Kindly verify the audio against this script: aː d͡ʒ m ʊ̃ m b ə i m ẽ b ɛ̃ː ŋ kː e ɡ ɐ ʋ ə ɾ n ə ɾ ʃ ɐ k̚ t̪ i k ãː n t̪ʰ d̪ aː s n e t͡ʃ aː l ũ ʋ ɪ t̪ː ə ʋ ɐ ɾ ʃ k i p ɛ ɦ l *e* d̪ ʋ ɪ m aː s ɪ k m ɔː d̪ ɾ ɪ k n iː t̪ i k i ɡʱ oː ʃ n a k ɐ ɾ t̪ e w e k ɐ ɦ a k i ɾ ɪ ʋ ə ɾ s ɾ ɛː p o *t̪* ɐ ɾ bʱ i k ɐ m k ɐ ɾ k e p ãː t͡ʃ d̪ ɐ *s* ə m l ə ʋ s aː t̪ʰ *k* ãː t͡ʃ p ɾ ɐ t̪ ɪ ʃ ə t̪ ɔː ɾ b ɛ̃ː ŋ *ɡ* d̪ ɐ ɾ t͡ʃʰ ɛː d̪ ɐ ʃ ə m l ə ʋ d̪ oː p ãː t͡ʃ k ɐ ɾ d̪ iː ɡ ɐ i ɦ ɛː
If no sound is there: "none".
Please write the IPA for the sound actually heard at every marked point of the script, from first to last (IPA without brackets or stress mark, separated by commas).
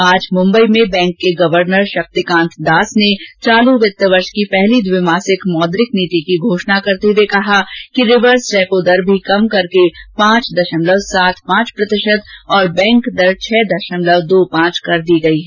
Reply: i, d̪, ʃ, p, k